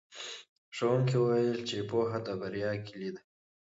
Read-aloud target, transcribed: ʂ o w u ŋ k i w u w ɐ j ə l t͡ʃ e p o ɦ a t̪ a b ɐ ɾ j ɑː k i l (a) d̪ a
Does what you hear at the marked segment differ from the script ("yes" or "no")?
yes